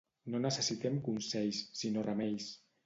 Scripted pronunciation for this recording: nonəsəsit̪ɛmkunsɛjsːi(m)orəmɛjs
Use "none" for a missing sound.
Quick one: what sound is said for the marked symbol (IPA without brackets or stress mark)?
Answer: n